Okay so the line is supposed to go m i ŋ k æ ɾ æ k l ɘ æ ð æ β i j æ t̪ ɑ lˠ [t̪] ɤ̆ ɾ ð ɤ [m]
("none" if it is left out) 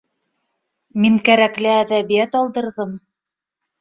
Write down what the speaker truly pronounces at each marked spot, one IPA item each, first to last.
d̪, m

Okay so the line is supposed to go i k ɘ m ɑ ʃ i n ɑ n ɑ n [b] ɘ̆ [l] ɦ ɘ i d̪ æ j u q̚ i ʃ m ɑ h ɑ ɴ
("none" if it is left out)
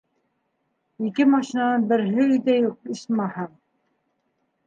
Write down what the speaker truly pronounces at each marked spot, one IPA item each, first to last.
b, ɾ

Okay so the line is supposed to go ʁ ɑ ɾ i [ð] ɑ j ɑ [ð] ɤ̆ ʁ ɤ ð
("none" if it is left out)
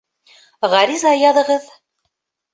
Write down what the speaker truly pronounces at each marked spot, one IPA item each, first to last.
z, ð

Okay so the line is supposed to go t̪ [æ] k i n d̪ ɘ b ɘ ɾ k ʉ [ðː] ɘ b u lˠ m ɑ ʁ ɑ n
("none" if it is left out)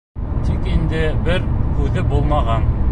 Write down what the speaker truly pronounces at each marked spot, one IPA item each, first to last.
i, ð

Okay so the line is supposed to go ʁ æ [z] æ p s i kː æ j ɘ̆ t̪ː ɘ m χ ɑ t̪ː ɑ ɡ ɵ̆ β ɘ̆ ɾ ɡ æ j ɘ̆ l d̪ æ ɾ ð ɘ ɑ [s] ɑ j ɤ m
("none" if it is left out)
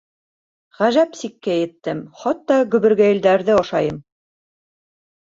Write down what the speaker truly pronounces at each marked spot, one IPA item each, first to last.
ʒ, ʃ

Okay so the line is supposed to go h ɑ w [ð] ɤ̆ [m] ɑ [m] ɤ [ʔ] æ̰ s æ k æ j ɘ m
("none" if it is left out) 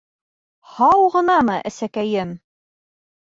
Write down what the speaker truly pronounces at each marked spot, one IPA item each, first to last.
ʁ, n, m, ʔ

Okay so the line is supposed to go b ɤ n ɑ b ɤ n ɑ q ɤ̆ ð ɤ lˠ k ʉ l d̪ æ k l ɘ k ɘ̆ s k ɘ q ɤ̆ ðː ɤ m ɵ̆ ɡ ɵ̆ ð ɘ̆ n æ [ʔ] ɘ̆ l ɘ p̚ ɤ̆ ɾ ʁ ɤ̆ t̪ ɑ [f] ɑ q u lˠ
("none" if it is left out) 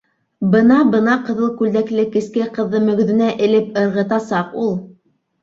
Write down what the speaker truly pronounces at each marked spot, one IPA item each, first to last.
ʔ, s

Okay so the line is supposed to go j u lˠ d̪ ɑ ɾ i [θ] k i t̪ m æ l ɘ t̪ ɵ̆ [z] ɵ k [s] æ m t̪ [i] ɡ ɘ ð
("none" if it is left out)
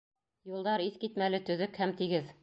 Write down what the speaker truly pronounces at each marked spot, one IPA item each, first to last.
θ, ð, h, i

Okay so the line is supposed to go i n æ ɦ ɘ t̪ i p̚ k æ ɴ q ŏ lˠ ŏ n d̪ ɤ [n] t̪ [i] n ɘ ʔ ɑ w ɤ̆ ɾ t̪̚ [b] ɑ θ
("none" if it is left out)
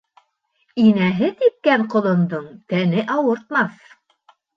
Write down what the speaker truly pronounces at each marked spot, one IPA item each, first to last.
ɴ, æ, m

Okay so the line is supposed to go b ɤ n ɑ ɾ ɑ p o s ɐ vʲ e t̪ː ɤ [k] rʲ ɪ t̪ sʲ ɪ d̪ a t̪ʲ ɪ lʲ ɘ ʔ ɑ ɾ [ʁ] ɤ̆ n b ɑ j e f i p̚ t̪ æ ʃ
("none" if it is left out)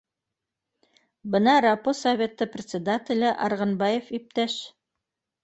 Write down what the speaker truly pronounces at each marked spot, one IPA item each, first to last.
p, ʁ

